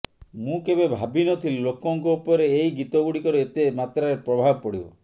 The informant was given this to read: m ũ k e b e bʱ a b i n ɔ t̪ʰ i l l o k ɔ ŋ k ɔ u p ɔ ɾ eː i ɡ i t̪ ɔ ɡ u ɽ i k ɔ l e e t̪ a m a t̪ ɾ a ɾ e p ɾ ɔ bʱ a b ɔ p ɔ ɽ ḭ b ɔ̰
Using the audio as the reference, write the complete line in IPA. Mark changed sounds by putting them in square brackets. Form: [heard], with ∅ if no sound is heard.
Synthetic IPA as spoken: m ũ k e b e bʱ a b i n ɔ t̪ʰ i l l o k ɔ ŋ k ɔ u p ɔ ɾ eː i ɡ i t̪ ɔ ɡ u ɽ i k ɔ [ɾ] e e t̪ [e] m a t̪ ɾ a ɾ e p ɾ ɔ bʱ a b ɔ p ɔ ɽ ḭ b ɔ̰

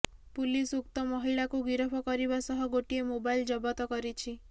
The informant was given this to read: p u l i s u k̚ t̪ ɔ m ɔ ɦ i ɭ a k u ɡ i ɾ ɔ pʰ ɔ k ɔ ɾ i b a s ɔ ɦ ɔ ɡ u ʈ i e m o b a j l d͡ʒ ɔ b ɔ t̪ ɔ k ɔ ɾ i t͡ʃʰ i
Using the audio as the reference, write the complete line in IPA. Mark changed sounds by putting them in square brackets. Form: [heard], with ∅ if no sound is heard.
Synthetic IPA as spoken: p u l i s u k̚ t̪ ɔ m ɔ ɦ i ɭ a k u ɡ i ɾ ɔ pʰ ɔ k ɔ ɾ i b a s ɔ ɦ ɔ ɡ [o] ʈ i e m o b a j l d͡ʒ ɔ b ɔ t̪ ɔ k ɔ ɾ i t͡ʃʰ i

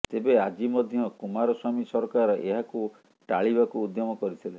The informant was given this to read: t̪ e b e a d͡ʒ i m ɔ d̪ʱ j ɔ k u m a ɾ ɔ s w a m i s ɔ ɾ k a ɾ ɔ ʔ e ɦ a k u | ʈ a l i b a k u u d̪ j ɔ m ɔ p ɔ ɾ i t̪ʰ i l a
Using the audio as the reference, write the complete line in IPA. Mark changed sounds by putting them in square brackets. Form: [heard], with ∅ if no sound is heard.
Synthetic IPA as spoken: t̪ e b e a d͡ʒ i m ɔ d̪ʱ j ɔ k u m a ɾ ɔ s w a m i s ɔ ɾ k a ɾ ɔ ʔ e ɦ a k u | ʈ a [ɭ] i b a k u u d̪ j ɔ m ɔ [k] ɔ ɾ i t̪ʰ i l [e]

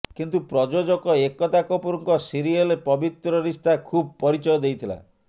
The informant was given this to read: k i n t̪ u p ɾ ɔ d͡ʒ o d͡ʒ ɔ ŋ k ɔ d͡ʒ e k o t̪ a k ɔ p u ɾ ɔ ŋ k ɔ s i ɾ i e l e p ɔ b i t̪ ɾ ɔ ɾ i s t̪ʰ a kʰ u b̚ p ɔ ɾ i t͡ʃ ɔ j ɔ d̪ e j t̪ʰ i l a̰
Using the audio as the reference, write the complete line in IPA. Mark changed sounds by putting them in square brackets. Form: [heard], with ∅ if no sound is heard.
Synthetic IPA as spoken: k i n t̪ u p ɾ ɔ d͡ʒ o d͡ʒ ɔ [∅] k ɔ [∅] e k [ɔ] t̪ a k ɔ p u ɾ ɔ ŋ k ɔ s i ɾ i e l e p ɔ b i t̪ ɾ ɔ ɾ i s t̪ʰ a kʰ u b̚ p ɔ ɾ i t͡ʃ ɔ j ɔ d̪ e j t̪ʰ i l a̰

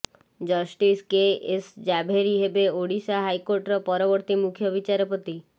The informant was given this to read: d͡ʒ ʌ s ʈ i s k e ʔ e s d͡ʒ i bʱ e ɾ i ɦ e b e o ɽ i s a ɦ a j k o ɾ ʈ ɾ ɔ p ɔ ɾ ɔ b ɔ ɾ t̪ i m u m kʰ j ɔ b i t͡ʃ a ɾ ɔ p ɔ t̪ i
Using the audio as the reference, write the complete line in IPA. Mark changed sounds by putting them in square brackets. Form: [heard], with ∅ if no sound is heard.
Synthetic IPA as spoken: d͡ʒ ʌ s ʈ i s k e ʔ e s d͡ʒ [a] bʱ e ɾ i ɦ e b e o ɽ i s a ɦ a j k o ɾ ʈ ɾ ɔ p ɔ ɾ ɔ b ɔ ɾ t̪ i m u [∅] kʰ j ɔ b i t͡ʃ a ɾ ɔ p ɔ t̪ i

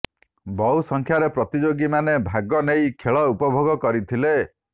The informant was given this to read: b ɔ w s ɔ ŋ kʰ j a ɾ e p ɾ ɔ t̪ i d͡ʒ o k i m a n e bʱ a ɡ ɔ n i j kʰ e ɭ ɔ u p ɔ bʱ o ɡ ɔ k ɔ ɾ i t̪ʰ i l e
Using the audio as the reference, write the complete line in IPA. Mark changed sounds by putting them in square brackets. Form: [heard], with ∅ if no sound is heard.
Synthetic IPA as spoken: b ɔ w s ɔ ŋ kʰ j a ɾ e p ɾ ɔ t̪ i d͡ʒ o [ɡ] i m a n e bʱ a ɡ ɔ n [e] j kʰ e ɭ ɔ u p ɔ bʱ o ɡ ɔ k ɔ ɾ i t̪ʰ i l e

